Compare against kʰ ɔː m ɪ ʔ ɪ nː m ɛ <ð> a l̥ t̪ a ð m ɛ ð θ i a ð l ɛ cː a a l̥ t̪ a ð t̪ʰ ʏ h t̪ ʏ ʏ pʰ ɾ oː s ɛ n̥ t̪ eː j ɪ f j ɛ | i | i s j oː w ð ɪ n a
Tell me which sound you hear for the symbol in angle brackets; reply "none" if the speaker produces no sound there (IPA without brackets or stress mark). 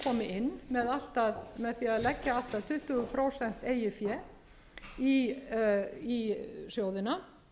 ð